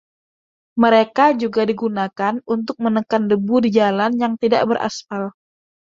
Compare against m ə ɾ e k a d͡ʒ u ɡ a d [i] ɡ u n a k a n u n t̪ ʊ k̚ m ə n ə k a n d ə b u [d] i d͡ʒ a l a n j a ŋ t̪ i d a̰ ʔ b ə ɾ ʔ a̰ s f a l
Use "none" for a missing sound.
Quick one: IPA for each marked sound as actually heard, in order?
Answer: i, d

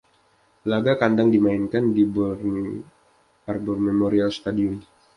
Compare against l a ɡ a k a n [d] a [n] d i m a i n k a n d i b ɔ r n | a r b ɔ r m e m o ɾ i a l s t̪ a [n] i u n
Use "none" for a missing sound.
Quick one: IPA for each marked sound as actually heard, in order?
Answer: d, ŋ, d

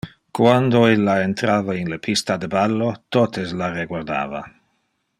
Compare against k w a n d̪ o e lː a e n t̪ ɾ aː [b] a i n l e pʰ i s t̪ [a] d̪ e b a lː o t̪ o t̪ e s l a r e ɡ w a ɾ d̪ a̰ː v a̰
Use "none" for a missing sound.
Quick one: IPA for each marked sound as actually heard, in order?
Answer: v, a

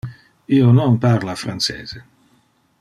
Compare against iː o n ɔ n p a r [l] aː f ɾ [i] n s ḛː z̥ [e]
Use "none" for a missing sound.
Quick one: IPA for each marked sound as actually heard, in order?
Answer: l, a, e

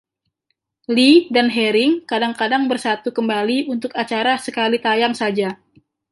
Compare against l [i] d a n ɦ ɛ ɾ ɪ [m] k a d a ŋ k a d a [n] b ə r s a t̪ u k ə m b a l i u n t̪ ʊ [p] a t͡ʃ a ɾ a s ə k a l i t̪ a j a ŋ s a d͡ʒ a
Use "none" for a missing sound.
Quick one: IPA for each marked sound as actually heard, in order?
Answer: i, ŋ, ŋ, k

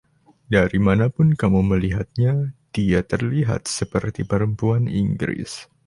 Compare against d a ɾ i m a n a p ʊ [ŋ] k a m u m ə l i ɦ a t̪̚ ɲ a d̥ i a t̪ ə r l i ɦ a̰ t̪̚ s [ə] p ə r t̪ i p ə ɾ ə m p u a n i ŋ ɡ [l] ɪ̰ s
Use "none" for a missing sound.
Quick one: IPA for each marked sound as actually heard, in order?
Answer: n, ə, ɾ

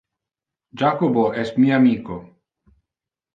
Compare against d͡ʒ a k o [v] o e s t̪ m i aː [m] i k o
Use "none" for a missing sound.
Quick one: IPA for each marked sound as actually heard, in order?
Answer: b, m

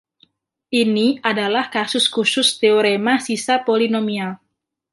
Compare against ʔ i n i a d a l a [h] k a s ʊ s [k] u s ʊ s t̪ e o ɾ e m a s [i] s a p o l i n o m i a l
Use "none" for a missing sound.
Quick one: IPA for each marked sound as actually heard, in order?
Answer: h, k, i

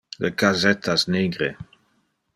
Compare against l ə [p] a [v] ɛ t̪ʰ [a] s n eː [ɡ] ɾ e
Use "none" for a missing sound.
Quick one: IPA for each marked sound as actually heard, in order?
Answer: k, z, a, ɡ

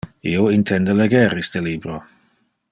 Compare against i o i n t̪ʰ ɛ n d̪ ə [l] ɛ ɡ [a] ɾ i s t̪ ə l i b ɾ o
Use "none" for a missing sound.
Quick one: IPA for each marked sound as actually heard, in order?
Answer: l, ɛ

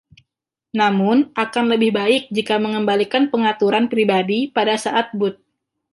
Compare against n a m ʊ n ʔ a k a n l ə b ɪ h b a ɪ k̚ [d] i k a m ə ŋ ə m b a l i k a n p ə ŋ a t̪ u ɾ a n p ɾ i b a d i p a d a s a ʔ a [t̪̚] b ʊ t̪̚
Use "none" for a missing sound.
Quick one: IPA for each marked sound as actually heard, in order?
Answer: d͡ʒ, t̪̚

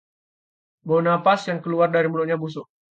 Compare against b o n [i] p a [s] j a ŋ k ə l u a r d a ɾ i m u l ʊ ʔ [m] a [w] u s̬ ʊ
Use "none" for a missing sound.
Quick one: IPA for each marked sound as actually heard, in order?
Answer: a, s, ɲ, b

